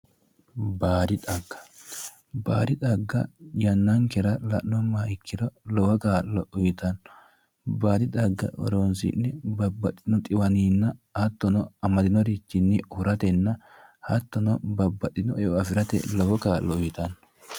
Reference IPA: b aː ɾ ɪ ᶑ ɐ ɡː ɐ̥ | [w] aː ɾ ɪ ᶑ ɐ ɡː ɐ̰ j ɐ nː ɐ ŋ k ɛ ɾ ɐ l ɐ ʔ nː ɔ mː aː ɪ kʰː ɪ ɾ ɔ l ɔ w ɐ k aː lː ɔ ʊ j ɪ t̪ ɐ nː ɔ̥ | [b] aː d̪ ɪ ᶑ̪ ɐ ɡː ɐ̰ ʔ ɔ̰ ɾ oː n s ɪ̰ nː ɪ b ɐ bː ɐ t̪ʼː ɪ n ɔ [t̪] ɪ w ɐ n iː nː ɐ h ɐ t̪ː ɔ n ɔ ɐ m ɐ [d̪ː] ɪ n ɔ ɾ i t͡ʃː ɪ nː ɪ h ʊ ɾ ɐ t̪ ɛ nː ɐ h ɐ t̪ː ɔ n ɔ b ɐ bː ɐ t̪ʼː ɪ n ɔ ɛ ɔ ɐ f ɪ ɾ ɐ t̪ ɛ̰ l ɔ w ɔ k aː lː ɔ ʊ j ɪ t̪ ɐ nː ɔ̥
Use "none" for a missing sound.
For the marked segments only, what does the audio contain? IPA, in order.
b, b, t̪ʼ, d̪

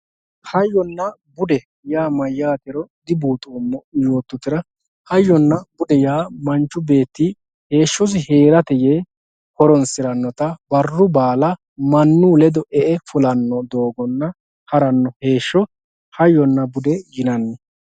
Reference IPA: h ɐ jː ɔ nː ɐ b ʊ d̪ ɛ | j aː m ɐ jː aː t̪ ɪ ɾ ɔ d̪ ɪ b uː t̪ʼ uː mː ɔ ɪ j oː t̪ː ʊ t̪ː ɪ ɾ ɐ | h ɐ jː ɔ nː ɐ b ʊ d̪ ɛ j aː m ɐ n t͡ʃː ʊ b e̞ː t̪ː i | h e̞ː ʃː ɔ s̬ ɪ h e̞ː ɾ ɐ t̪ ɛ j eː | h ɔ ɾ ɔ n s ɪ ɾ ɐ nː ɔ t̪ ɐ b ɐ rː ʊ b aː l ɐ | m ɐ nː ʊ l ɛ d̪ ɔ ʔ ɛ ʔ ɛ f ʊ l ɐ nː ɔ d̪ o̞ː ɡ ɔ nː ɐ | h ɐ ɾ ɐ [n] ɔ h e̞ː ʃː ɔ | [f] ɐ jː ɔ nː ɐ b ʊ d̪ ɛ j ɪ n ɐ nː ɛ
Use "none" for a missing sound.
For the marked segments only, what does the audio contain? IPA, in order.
nː, h

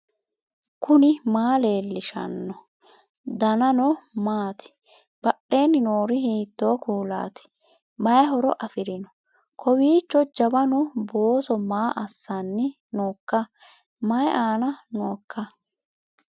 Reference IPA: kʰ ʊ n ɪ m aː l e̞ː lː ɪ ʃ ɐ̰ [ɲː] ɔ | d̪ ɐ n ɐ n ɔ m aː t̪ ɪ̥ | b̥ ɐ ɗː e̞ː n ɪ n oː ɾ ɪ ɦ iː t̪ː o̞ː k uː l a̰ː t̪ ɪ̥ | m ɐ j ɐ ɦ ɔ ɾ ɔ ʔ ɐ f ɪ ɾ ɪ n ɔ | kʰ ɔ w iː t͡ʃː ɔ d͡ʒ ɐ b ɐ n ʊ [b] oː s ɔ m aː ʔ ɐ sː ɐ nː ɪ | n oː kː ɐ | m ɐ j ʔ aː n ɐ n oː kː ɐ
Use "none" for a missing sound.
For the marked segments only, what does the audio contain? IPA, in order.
nː, b

